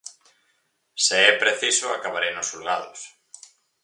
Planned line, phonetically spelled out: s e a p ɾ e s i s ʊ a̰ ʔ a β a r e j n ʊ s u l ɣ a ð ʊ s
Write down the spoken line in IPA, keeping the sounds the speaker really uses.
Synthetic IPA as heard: s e ɛ p ɾ e θ i s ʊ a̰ k a β a ɾ e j n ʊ s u l ɣ a ð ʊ s